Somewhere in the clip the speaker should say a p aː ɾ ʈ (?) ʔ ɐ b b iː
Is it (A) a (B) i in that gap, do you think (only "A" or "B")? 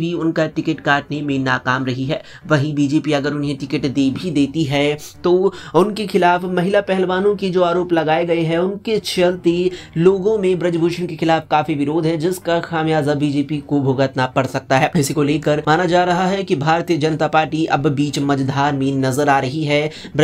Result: B